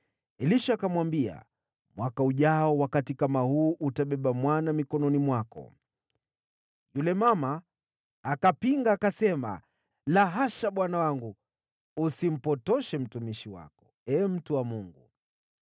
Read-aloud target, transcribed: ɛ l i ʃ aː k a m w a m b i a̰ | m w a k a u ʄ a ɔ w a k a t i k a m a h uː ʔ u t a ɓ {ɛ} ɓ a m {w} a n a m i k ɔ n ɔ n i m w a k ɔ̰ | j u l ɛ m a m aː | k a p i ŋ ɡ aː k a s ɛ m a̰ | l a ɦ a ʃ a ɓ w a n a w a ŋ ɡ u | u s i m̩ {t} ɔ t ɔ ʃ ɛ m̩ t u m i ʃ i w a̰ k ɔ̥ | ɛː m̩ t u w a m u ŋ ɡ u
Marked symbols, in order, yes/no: yes, yes, no

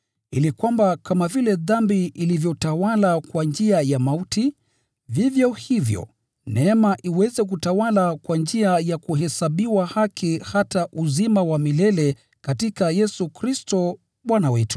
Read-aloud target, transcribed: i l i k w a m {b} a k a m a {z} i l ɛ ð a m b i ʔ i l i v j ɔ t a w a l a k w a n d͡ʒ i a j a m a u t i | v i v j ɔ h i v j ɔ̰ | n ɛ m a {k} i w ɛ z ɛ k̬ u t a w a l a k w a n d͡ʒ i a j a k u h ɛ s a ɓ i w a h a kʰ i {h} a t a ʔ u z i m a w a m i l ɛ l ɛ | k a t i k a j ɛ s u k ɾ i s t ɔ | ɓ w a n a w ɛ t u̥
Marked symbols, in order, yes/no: yes, no, no, yes

